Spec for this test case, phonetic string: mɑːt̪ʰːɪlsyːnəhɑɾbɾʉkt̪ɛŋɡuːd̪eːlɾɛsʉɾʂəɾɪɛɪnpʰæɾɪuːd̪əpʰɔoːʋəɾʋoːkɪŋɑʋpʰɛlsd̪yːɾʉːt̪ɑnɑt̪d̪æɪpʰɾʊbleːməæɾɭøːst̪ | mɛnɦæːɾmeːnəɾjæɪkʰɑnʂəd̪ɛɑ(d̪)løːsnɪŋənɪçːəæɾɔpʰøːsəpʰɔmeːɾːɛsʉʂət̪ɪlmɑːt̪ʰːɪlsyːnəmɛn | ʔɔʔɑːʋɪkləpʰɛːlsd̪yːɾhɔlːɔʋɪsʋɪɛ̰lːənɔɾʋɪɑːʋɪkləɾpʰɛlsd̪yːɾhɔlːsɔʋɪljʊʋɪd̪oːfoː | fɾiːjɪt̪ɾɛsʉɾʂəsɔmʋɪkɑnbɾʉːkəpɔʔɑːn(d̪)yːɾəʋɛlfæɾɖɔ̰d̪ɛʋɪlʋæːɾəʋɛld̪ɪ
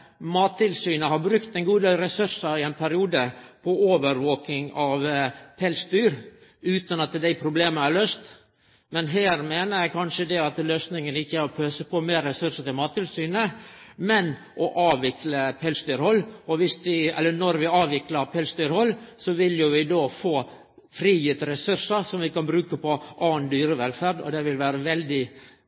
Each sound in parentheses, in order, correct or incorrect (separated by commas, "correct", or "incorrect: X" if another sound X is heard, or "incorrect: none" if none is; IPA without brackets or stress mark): incorrect: t̪, correct